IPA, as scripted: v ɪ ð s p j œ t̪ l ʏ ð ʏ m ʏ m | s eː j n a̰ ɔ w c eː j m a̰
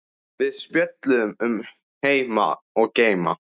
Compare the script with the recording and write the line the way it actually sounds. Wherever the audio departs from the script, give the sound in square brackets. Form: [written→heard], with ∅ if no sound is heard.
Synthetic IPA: v ɪ ð s p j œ t̪ l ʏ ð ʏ m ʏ m | [s→h] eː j [n→m] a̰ ɔ [w→ɣ] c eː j m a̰